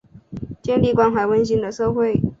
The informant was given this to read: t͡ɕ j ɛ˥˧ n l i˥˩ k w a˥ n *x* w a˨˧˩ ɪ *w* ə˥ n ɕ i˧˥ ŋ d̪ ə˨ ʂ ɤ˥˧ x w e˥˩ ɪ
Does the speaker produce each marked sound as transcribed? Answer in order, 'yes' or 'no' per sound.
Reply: yes, yes

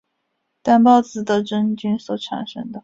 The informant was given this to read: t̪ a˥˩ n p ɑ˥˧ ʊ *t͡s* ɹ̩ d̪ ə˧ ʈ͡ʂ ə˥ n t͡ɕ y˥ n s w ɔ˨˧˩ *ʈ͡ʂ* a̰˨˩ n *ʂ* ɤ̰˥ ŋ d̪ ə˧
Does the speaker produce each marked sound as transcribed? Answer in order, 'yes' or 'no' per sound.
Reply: yes, no, yes

